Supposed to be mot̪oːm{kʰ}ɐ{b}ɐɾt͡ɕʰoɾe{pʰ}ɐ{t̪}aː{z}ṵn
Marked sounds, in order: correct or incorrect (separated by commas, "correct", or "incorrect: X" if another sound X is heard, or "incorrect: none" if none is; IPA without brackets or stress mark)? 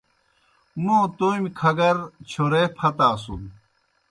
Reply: correct, incorrect: ɡ, correct, correct, incorrect: s